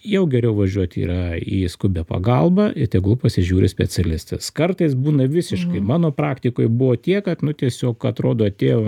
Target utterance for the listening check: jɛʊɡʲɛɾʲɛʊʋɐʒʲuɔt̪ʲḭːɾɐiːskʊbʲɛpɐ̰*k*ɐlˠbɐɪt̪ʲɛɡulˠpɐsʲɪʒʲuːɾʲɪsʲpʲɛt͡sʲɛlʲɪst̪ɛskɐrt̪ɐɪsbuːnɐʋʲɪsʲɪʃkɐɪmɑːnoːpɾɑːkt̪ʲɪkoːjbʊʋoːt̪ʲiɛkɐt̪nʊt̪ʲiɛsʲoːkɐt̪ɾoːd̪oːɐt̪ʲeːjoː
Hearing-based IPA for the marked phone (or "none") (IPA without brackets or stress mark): ɡ